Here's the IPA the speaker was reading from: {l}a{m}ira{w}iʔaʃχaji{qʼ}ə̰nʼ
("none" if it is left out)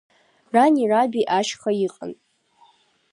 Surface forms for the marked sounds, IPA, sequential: r, n, b, qʼ

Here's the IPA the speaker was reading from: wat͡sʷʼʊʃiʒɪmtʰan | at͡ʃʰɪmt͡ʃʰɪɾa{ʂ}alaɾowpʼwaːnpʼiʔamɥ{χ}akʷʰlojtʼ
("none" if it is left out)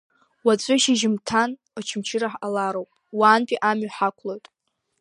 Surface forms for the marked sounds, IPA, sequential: ħ, ħ

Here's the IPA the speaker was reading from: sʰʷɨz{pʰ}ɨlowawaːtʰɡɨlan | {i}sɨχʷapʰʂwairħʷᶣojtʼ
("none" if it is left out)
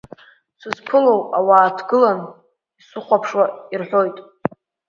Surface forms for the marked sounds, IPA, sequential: pʰ, i

